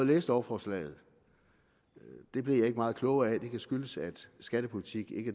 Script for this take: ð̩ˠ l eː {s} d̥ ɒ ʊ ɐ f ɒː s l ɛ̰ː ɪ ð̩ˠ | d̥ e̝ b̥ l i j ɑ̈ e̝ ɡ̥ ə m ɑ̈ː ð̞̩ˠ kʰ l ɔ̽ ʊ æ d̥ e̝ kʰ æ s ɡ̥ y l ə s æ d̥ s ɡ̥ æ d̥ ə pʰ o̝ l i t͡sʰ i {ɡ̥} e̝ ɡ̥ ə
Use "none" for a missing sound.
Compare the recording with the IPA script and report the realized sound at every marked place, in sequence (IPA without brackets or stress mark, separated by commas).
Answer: s, ɡ̥